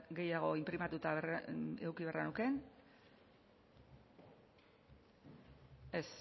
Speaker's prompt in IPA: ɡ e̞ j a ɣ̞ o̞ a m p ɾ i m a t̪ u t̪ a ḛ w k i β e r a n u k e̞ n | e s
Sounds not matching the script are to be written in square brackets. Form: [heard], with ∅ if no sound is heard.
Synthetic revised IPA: ɡ e̞ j a ɣ̞ o̞ [i] m p ɾ i m a t̪ u t̪ a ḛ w k i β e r a n u k e̞ n | e s